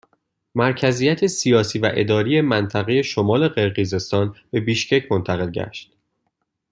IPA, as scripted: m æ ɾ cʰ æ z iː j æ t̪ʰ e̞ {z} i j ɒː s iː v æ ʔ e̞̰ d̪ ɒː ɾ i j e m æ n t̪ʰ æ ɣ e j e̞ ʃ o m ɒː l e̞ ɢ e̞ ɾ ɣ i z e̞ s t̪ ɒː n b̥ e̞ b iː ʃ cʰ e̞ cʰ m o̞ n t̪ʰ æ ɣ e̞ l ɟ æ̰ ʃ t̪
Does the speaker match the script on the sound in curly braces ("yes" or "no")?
no